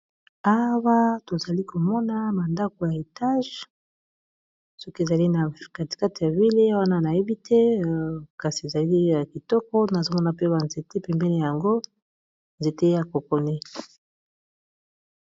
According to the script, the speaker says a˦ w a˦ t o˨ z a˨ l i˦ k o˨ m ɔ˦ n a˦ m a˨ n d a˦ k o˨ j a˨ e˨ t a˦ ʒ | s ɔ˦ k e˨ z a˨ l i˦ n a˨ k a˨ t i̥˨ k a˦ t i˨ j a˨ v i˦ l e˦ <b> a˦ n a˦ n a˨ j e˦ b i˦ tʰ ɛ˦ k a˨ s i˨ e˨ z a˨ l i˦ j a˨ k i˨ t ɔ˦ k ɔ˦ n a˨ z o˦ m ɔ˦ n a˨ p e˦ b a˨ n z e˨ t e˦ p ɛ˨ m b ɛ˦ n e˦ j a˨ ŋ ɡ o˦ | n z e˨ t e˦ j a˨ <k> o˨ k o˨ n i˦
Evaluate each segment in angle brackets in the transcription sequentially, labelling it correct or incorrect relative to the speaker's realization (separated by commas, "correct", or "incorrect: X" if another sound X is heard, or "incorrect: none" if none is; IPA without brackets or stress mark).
incorrect: w, correct